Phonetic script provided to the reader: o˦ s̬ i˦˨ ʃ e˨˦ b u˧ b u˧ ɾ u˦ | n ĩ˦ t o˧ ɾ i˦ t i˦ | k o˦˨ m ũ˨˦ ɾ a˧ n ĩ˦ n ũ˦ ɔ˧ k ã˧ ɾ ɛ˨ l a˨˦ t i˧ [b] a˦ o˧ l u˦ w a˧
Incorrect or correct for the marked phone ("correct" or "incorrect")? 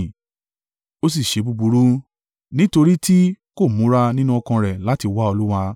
incorrect